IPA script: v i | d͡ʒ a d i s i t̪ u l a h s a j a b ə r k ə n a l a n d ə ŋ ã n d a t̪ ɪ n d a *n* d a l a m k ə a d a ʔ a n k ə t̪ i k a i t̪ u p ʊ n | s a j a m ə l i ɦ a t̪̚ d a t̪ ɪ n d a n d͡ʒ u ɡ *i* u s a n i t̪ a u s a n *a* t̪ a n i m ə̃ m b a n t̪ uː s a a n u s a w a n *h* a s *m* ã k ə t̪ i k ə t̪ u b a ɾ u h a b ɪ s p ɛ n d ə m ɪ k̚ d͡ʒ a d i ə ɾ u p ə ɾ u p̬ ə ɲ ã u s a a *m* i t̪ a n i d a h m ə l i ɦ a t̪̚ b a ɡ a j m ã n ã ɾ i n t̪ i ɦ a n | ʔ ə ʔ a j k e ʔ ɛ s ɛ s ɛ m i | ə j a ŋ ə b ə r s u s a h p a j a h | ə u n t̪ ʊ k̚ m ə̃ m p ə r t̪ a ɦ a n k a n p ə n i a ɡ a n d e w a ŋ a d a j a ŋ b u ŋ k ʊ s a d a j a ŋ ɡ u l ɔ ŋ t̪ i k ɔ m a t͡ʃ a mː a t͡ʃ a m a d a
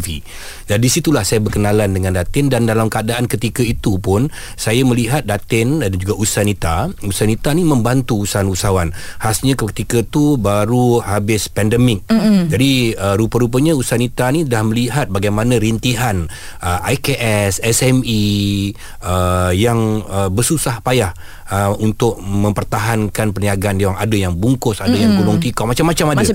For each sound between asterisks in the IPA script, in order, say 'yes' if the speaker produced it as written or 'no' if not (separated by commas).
yes, no, no, yes, no, no